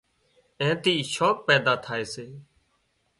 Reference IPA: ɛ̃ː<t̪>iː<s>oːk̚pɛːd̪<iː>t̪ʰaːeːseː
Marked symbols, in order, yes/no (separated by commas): yes, no, no